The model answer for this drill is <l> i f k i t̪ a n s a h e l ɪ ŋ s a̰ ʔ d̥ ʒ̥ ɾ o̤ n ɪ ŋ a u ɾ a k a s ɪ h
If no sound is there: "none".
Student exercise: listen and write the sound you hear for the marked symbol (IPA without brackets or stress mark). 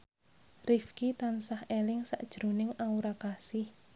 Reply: r